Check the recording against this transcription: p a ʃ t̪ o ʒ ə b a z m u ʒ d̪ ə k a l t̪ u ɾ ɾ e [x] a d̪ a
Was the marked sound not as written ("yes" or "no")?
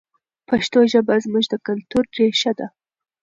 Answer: yes